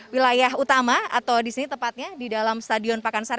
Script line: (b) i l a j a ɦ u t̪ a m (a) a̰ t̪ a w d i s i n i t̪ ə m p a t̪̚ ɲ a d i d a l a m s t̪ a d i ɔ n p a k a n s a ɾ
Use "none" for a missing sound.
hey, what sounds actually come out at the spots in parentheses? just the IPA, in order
w, a

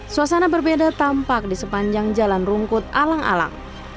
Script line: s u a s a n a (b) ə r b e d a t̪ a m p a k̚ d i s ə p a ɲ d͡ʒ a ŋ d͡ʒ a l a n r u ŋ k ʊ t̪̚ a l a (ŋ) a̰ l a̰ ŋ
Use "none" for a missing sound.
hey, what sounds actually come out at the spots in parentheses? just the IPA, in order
b, ŋ

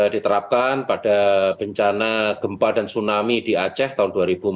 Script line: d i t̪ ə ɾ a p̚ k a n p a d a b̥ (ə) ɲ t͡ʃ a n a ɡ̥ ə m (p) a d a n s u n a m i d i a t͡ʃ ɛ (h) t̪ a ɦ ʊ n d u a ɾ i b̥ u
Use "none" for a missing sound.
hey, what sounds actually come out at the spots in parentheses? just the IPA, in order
ə, p, h

